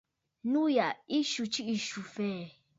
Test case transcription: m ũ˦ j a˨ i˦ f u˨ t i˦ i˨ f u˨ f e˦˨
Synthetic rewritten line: n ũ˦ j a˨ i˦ ʃ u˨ t͡ʃ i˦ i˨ ʃ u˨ f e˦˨